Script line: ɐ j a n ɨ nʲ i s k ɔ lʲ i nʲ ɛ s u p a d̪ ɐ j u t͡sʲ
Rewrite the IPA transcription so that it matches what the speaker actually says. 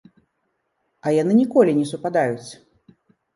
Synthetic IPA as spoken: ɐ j a n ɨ nʲ i k ɔ lʲ i nʲ ɛ s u p a d̪ a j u t͡sʲ